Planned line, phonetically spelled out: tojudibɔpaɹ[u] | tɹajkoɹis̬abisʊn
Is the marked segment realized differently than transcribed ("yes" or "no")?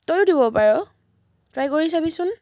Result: yes